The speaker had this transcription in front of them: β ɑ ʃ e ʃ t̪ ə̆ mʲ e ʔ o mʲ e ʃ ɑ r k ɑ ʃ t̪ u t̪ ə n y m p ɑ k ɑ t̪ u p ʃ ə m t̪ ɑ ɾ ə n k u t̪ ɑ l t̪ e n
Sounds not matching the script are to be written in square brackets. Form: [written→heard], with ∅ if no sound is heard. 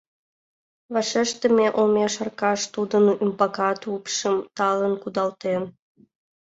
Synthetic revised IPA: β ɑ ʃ e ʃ t̪ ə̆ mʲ e ʔ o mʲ e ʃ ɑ r k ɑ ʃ t̪ u [t̪→d̪] ə n y m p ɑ k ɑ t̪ u p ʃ ə m t̪ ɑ [ɾ→l] ə n k u [t̪→d̪] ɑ l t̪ e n